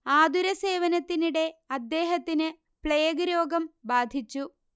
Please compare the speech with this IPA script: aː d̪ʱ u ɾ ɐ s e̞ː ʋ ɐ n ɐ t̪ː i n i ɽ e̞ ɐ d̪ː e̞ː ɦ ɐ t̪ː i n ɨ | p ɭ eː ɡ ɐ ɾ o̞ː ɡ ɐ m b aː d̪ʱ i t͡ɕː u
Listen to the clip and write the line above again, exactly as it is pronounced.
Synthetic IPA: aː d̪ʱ u ɾ ɐ s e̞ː ʋ ɐ n ɐ t̪ː i n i ɽ e̞ ɐ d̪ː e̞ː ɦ ɐ t̪ː i n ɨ | p ɭ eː ɡ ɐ ɾ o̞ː ɡ ɐ m b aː d̪ʱ i t͡ɕː u